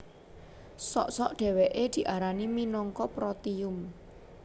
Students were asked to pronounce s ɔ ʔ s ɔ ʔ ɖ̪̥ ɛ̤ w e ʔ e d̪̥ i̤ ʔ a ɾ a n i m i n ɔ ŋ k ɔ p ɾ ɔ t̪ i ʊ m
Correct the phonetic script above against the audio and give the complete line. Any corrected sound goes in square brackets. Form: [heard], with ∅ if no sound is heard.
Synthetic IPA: s ɔ ʔ s ɔ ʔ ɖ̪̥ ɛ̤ w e ʔ e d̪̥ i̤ ʔ a ɾ a n i m i n ɔ ŋ k ɔ p ɾ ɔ t̪ i ʊ m